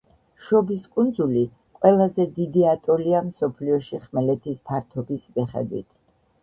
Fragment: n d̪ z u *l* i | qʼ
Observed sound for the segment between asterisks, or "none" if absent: l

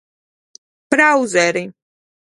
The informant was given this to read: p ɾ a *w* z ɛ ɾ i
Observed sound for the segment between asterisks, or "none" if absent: w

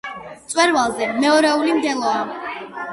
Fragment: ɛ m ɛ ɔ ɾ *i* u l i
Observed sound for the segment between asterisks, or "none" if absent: ɛ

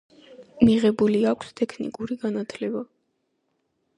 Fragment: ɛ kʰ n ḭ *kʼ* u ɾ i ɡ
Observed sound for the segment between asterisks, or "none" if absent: kʼ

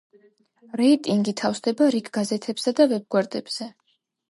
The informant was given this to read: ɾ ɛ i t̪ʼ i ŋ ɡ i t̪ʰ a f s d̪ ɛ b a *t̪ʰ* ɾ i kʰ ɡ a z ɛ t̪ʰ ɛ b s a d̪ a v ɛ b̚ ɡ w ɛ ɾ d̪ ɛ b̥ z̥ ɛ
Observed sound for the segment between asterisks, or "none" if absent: none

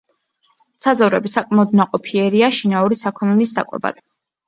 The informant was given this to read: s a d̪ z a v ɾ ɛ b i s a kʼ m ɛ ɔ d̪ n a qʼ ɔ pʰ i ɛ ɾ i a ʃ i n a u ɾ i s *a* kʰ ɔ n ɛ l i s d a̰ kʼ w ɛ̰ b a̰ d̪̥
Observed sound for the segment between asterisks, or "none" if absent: a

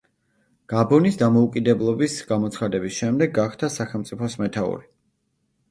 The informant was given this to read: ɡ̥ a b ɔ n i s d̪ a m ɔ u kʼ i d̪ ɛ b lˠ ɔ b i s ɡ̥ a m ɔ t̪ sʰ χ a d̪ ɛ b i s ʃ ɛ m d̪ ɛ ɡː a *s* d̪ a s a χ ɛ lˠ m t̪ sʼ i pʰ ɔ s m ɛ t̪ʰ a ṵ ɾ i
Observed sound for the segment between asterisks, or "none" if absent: χ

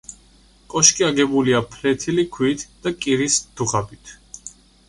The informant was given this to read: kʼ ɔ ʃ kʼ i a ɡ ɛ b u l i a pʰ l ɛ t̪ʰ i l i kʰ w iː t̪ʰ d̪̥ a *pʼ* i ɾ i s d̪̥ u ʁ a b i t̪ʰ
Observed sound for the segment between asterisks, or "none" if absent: kʼ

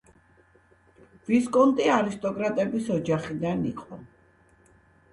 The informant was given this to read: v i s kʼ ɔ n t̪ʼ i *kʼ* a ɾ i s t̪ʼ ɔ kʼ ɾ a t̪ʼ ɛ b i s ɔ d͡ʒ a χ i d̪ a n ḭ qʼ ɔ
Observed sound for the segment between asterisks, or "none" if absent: none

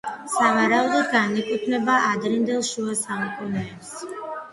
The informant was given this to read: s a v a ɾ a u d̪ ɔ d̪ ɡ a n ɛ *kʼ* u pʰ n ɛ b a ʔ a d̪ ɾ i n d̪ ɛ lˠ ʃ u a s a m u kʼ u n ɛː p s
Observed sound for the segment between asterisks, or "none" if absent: kʼ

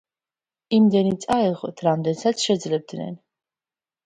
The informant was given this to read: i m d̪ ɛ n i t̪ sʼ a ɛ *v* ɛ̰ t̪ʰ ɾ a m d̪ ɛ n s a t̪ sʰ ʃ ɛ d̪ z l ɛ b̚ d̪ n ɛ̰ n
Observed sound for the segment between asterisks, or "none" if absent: ʁ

